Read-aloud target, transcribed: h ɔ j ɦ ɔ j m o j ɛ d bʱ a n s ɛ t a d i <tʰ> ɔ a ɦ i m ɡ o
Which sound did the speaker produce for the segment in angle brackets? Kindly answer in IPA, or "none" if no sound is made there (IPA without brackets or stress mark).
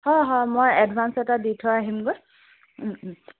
tʰ